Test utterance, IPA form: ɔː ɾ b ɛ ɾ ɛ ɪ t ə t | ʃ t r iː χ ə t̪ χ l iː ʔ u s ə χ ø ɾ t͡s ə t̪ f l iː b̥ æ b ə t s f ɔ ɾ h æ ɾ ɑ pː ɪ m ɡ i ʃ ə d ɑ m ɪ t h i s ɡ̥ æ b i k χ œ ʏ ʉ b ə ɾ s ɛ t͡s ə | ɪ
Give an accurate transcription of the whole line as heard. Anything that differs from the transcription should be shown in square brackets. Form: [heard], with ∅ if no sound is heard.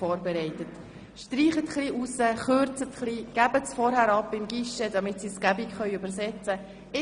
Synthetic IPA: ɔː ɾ b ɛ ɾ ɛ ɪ t ə t | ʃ t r iː χ ə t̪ χ l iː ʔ u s ə χ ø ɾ t͡s ə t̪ [χ] l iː [ɡ̥] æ b ə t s f ɔ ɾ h æ ɾ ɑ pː ɪ m ɡ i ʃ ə d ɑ m ɪ t [s] i s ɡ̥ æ b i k χ œ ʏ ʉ b ə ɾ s ɛ t͡s ə | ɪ

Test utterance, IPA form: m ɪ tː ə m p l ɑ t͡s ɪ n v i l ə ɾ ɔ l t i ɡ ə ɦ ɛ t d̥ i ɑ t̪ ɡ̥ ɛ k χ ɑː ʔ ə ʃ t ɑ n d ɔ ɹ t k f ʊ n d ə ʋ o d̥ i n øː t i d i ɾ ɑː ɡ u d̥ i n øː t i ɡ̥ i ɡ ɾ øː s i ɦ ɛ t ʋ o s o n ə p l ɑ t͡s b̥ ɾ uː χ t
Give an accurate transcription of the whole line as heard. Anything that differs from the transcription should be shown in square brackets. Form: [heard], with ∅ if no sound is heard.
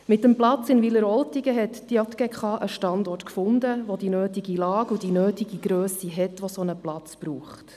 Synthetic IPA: m ɪ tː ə m p l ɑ t͡s ɪ n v i l ə ɾ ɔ l t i ɡ ə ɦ ɛ t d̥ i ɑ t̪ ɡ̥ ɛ k χ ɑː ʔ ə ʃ t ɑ n d ɔ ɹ t k f ʊ n d ə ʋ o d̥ i n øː t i [ɡ] i [l] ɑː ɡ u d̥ i n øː t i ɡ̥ i ɡ ɾ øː s i ɦ ɛ t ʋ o s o n ə p l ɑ t͡s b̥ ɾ uː χ t

